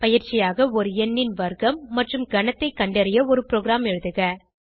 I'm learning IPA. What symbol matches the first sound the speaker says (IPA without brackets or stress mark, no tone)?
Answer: p